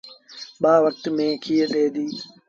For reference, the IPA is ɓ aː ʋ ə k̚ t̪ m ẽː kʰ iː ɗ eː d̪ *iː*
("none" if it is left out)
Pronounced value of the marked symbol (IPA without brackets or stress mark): iː